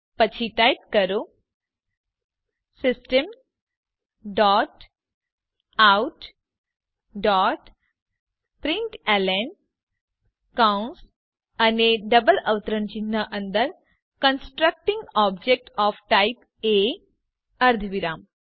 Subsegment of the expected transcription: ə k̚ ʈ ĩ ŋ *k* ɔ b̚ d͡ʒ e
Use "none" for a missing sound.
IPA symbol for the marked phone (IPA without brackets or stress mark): ɡ